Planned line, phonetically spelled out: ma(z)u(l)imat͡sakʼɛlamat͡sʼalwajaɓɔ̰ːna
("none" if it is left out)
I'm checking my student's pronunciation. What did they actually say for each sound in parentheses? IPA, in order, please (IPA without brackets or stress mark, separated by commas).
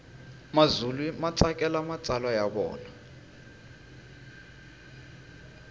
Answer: z, l